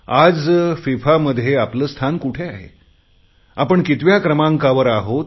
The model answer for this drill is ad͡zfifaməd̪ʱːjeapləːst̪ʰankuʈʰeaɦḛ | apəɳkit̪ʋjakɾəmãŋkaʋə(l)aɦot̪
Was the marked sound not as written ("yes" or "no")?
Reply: yes